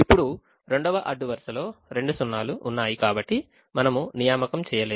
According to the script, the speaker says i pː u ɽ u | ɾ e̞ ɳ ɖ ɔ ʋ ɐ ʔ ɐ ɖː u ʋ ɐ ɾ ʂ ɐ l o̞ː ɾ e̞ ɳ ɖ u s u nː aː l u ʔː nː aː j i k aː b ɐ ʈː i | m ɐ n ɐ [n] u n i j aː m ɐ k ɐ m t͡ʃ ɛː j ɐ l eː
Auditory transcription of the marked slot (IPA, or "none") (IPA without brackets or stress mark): m